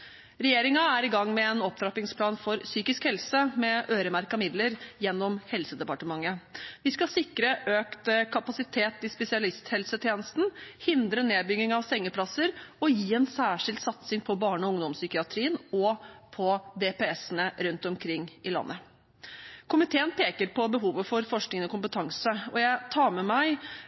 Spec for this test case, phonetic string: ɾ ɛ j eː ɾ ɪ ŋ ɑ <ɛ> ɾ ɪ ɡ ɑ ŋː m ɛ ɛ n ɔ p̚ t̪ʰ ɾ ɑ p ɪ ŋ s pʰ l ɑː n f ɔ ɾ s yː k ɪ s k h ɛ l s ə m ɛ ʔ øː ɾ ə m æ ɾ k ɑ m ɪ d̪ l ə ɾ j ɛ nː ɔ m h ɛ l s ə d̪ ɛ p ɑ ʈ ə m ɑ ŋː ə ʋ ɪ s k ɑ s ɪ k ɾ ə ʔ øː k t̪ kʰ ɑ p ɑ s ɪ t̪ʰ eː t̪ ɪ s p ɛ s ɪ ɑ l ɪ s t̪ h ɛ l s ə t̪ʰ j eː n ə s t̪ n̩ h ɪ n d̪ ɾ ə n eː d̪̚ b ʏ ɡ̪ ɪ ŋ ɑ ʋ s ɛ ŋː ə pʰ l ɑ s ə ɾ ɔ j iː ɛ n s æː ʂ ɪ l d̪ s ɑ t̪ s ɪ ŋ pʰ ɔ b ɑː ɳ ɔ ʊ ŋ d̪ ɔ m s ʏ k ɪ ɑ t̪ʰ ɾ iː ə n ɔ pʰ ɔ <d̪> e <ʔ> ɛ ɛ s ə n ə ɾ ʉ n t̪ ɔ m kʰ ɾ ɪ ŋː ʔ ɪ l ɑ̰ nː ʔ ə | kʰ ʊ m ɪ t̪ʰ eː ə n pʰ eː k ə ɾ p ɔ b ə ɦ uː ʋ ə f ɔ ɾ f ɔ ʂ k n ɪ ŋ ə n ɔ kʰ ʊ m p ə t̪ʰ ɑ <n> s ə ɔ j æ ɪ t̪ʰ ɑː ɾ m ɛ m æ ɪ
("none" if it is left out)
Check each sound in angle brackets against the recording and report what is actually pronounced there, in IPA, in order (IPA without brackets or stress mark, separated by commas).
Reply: æ, d̪, p, ŋ